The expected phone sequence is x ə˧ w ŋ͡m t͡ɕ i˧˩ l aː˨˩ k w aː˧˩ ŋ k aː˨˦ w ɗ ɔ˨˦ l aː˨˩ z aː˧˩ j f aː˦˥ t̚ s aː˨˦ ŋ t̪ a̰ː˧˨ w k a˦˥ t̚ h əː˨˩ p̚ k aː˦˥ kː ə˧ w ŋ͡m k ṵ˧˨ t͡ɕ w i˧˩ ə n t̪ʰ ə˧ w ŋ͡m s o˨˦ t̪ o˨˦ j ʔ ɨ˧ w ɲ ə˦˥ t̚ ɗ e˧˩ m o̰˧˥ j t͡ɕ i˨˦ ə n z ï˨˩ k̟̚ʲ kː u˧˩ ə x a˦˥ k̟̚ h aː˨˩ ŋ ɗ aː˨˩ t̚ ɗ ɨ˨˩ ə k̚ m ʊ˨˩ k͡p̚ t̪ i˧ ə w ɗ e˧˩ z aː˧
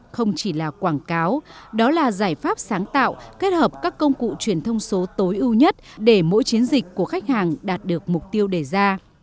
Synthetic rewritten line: x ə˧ w ŋ͡m t͡ɕ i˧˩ l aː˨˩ k w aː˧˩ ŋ k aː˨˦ w ɗ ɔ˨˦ l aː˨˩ z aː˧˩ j f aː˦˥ p̚ s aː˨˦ ŋ t̪ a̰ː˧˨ w k e˦˥ t̚ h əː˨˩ p̚ k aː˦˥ kː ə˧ w ŋ͡m k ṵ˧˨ t͡ɕ w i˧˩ ə n t̪ʰ ə˧ w ŋ͡m s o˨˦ t̪ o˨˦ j ʔ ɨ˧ w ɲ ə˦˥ t̚ ɗ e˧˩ m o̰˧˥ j t͡ɕ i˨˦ ə n z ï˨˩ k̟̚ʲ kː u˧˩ ə x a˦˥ k̟̚ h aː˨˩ ŋ ɗ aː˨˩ t̚ ɗ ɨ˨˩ ə k̚ m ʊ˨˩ k͡p̚ t̪ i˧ ə w ɗ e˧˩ z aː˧